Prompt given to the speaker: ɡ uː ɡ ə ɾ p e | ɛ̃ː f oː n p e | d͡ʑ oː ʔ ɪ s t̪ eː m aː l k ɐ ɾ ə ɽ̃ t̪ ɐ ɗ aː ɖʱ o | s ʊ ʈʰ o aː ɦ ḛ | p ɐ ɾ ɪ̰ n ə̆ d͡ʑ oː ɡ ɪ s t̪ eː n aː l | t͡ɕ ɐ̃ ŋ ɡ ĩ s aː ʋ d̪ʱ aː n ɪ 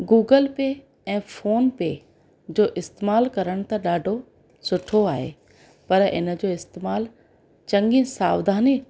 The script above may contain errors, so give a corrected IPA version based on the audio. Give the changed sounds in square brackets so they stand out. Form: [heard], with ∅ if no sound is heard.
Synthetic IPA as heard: ɡ uː ɡ ə [l] p e | ɛ̃ː f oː n p e | d͡ʑ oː ʔ ɪ s t̪ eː m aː l k ɐ ɾ ə ɽ̃ t̪ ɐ ɗ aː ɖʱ o | s ʊ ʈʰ o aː ɦ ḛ | p ɐ ɾ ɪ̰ n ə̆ d͡ʑ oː [∅] ɪ s t̪ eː [m] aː l | t͡ɕ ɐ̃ ŋ ɡ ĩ s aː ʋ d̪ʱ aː n [i]